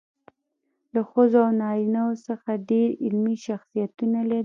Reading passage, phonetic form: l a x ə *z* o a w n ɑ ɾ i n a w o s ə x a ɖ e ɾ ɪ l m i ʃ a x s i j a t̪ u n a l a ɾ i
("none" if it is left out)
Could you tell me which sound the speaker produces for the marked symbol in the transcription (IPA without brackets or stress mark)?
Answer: z